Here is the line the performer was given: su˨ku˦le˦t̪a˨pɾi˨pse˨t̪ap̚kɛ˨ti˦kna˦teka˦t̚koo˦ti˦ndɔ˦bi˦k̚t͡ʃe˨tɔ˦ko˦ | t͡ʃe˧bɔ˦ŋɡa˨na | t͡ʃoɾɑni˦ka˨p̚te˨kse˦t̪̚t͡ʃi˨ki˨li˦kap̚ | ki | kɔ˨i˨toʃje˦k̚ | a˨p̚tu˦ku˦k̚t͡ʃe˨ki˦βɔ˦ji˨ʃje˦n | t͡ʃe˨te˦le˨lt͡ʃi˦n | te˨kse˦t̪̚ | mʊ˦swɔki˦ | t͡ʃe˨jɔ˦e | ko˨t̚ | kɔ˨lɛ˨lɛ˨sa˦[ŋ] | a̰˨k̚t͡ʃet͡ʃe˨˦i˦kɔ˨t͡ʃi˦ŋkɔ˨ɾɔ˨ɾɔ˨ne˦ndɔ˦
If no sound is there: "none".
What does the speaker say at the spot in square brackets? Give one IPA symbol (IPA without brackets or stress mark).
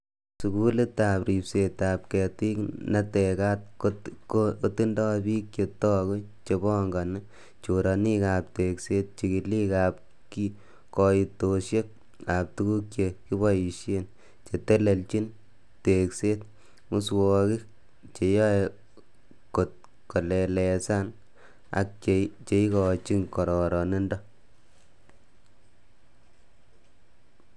n